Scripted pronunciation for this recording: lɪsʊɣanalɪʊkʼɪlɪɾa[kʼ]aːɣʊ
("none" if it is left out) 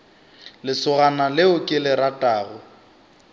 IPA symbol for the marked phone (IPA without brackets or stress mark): tʼ